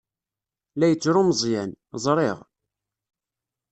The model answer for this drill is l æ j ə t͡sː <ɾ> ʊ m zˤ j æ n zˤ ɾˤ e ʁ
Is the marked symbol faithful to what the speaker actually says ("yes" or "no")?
yes